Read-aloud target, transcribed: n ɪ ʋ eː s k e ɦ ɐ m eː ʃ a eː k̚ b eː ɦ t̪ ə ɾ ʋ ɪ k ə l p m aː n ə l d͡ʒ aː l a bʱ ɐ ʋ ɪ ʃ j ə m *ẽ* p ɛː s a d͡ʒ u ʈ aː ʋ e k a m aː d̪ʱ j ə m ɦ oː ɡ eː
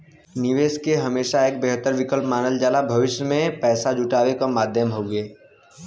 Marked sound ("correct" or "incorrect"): correct